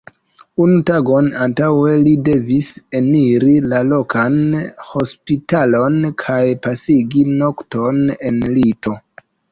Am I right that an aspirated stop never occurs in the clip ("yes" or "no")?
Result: no